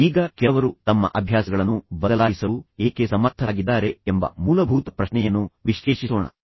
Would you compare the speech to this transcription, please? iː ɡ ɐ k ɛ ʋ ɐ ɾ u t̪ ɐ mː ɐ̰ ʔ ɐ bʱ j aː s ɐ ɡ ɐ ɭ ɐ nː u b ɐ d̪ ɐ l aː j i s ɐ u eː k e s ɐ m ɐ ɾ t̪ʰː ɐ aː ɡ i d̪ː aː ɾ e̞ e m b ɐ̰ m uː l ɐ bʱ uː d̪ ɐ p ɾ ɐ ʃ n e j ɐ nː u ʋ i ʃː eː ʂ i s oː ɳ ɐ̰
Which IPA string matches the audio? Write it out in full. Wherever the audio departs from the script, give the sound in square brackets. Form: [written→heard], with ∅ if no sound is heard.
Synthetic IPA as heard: iː ɡ ɐ k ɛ ʋ ɐ ɾ u t̪ ɐ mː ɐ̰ ʔ ɐ bʱ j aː s ɐ ɡ ɐ ɭ ɐ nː u b ɐ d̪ ɐ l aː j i s ɐ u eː k e s ɐ m ɐ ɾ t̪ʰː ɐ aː ɡ i d̪ː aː ɾ e̞ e m b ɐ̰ m uː l ɐ bʱ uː [d̪→t̪] ɐ p ɾ ɐ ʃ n [e→ɛ] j ɐ nː u ʋ i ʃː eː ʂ i s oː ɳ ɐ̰